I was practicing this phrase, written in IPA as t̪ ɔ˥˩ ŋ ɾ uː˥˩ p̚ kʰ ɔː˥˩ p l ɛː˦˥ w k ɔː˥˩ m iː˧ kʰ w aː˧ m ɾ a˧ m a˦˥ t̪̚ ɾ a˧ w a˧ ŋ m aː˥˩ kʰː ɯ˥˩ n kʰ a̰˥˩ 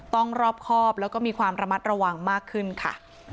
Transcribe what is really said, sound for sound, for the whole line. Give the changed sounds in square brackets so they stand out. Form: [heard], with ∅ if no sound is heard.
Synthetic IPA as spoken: t̪ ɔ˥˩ ŋ ɾ [ɔː˥˩] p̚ kʰ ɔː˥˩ p l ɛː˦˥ w k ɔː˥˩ m iː˧ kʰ w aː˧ m ɾ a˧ m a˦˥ t̪̚ ɾ a˧ w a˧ ŋ m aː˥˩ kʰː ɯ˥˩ n kʰ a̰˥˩